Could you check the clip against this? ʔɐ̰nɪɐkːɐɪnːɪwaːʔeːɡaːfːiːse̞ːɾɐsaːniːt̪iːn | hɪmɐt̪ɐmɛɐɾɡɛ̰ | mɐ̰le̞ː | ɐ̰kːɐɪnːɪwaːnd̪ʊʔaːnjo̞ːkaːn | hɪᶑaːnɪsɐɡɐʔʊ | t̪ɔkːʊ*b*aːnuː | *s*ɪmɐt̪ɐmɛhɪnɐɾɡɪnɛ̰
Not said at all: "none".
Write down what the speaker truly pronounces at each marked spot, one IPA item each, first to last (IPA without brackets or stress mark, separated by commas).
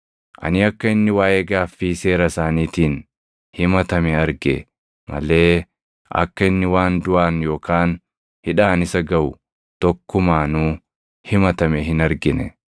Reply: m, h